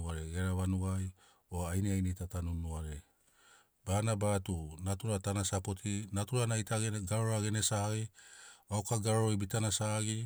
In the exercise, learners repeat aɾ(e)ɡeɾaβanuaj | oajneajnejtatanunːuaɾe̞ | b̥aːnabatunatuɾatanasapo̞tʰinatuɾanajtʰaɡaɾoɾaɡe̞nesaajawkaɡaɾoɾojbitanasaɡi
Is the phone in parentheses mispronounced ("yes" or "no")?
no